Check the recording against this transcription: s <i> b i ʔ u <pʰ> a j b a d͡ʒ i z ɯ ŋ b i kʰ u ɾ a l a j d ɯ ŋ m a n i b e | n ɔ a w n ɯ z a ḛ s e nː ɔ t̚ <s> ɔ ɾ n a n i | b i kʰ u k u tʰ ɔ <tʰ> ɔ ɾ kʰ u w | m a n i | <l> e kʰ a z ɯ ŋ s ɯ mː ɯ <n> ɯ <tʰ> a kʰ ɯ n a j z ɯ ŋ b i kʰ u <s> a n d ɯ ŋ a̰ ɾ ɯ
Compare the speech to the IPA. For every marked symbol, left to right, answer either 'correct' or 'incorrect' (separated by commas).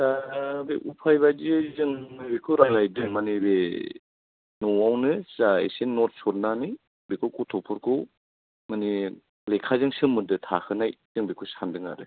incorrect, correct, correct, incorrect, correct, incorrect, correct, correct